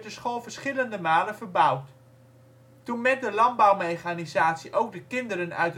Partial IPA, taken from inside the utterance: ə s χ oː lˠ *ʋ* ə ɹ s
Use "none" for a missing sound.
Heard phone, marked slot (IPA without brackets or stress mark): v